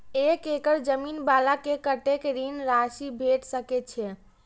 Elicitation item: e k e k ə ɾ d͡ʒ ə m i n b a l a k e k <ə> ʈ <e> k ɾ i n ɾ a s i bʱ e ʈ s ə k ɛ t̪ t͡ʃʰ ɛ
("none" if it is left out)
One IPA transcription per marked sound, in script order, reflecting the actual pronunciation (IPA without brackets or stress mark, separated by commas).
ə, e